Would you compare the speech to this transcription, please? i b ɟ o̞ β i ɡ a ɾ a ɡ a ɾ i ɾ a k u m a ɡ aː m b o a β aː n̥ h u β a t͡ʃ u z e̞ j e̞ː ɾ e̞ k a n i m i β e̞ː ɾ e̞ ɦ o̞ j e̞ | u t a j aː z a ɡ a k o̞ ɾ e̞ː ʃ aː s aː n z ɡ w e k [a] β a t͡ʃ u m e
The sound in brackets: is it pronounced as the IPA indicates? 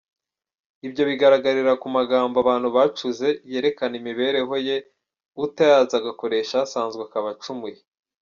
yes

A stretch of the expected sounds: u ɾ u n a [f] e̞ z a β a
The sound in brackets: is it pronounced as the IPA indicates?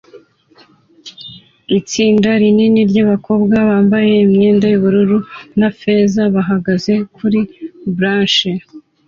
yes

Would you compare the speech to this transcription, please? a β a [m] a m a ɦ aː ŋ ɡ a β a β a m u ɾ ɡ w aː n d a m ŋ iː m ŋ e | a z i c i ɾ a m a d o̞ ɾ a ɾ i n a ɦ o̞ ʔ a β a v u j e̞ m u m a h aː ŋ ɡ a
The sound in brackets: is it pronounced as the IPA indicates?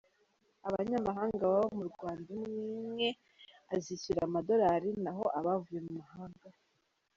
no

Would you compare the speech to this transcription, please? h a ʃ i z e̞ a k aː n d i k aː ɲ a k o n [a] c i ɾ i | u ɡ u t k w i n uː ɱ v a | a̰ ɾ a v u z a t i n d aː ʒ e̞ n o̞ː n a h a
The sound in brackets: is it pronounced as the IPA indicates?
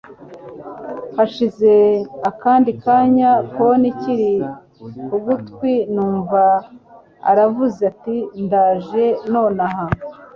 no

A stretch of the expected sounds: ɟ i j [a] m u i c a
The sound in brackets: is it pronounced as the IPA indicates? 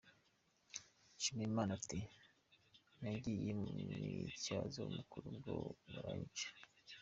no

